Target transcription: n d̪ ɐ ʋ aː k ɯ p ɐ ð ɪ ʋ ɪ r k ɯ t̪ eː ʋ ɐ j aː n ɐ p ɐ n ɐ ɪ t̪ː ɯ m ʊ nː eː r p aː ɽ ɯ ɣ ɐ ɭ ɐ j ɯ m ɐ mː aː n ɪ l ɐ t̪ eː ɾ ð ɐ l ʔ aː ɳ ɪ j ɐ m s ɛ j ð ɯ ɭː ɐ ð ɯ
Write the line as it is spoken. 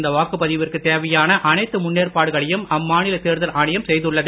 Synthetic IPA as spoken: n d̪ ɐ ʋ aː k ɯ p ɐ ð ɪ ʋ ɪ r k ɯ t̪ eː ʋ ɐ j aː n ɐ ʔ ɐ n ɐ ɪ t̪ː ɯ m ʊ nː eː r p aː ɽ ɯ ɣ ɐ ɭ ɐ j ɯ m ɐ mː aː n ɪ l ɐ t̪ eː ɾ ð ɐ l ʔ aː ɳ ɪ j ɐ m s ɛ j ð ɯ ɭː ɐ ð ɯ